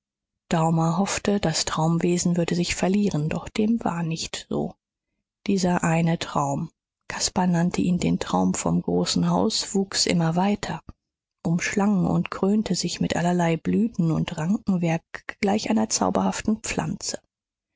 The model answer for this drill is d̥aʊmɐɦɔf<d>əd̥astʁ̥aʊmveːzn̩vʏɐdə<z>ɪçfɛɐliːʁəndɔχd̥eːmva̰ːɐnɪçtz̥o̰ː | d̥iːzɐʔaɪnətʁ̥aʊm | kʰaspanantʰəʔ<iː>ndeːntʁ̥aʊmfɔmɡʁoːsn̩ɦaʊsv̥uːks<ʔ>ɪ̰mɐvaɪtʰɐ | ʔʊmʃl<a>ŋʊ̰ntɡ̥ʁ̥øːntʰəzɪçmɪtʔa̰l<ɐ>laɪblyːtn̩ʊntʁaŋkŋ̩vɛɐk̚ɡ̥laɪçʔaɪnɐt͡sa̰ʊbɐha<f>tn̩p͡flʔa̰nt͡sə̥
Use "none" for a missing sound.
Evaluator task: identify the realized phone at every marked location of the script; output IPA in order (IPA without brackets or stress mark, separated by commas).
t, z, iː, ʔ, a, ɐ, f